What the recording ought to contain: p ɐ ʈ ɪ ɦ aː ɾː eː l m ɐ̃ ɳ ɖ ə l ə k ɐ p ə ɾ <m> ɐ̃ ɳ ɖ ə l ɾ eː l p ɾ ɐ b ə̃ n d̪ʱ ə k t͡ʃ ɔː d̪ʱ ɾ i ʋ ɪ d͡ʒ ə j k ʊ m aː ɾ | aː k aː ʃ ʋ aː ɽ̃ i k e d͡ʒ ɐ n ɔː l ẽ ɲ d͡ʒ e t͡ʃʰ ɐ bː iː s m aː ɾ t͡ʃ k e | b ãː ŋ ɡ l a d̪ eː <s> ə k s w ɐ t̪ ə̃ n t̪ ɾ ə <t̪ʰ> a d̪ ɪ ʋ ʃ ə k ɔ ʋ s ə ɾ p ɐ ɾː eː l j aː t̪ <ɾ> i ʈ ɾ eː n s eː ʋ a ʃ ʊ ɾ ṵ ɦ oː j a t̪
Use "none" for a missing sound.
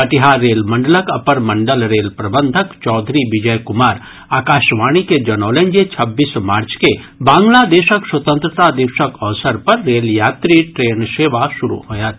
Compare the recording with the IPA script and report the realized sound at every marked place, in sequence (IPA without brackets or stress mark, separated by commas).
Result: m, ʃ, t̪, ɾ